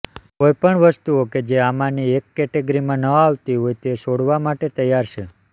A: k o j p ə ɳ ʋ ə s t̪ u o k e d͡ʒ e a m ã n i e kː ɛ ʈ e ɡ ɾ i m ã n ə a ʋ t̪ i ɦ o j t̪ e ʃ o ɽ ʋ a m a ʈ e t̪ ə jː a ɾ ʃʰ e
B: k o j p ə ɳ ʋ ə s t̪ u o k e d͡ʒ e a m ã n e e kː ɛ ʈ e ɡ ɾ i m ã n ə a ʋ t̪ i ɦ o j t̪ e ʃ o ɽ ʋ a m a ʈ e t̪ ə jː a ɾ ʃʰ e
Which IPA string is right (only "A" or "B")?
A